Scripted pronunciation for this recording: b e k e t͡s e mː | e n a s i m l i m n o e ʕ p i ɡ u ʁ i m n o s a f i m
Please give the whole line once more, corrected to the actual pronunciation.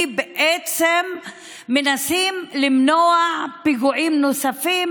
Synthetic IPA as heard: b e ʔ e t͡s e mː | e n a s i m l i m n o a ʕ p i ɡ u ʕ i m n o s a f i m

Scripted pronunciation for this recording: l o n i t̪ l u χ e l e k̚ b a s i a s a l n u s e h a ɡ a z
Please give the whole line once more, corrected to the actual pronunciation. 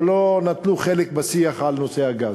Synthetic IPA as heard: l o n a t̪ l u χ e l e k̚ b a s i a χ a l n o s e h a ɡ a z

